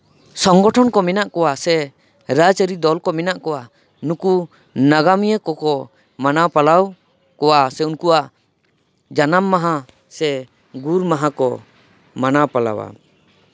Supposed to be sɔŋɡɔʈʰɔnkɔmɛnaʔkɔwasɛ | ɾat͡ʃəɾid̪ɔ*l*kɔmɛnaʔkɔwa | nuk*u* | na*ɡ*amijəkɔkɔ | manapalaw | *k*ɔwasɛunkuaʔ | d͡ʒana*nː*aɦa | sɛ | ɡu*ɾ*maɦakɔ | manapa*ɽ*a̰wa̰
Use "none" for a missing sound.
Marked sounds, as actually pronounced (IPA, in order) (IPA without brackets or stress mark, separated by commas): l, u, ɡ, k, mː, ɾ, l